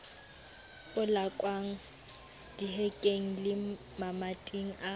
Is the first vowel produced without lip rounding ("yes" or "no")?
no